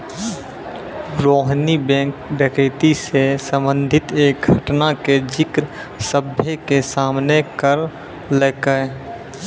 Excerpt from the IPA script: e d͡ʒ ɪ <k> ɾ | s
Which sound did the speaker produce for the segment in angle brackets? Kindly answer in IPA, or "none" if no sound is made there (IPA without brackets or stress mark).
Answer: k